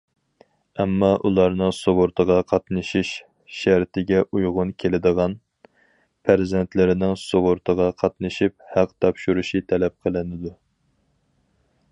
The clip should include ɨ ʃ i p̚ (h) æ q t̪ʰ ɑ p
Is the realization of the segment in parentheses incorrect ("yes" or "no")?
no